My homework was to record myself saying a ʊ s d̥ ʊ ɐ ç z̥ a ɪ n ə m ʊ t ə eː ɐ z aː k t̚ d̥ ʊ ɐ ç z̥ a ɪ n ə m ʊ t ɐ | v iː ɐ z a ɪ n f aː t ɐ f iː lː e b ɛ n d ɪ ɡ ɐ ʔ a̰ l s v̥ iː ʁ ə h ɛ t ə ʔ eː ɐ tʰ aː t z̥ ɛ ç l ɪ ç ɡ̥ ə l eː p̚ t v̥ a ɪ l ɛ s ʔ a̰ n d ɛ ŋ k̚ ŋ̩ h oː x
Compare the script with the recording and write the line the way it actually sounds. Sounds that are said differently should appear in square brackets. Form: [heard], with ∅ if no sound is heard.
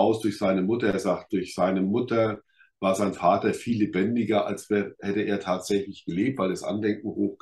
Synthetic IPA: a ʊ s d̥ ʊ ɐ ç z̥ a ɪ n ə m ʊ t [ɐ] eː ɐ z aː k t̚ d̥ ʊ ɐ ç z̥ a ɪ n ə m ʊ t ɐ | v [aː] ɐ z a ɪ n f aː t ɐ f iː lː e b ɛ n d ɪ ɡ ɐ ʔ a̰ l s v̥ [ɛː] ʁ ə h ɛ t ə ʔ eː ɐ tʰ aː t z̥ ɛ ç l ɪ ç ɡ̥ ə l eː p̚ t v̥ a ɪ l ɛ s ʔ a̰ n d ɛ ŋ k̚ ŋ̩ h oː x